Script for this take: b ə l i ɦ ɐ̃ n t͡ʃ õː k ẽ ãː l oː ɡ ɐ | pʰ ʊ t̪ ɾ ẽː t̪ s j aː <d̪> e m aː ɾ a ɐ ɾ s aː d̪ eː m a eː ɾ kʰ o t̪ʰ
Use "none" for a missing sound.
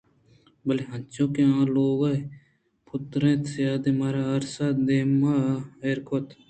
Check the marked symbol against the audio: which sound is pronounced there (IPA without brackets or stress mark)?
d̪